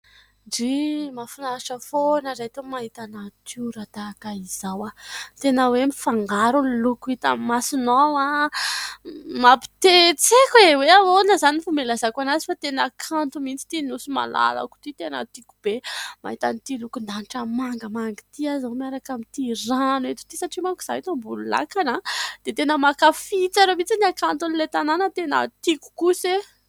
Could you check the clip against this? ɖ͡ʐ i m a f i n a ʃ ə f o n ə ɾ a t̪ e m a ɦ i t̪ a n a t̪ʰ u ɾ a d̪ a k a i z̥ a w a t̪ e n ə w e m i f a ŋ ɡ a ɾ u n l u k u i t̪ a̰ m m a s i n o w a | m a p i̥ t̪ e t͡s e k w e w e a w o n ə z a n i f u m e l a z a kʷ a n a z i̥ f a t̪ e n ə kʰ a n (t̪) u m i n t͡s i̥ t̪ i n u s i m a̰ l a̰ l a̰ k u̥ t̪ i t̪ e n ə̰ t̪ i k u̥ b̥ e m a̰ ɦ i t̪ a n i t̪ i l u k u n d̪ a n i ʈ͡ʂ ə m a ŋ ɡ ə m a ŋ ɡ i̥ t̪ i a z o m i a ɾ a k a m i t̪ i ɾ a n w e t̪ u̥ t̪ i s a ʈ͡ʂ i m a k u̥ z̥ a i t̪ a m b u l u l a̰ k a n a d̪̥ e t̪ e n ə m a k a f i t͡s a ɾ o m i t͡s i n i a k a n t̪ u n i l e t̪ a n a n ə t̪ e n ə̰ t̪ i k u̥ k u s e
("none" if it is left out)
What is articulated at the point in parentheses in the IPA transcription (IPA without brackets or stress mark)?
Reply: t̪